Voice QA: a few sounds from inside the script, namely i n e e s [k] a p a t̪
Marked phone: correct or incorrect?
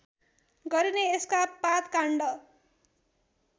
correct